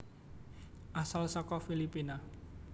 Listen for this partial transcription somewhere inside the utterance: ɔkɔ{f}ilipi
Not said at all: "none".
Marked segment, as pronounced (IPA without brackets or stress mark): f